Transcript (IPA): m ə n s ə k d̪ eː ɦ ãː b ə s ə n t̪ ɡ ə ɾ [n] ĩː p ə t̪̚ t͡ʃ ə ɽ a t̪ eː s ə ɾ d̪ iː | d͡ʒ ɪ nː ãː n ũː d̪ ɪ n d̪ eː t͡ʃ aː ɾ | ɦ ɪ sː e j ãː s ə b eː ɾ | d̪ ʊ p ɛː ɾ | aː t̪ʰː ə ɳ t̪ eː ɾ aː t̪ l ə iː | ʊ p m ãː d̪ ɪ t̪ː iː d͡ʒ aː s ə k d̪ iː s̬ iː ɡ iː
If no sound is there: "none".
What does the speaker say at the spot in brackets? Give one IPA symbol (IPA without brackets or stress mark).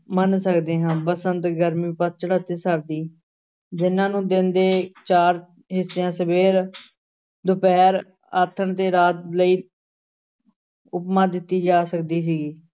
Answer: m